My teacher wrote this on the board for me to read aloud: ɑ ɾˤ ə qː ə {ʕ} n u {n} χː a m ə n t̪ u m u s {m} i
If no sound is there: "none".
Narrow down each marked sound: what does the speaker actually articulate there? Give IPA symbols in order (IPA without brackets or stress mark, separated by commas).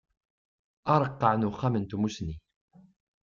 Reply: ʕ, none, n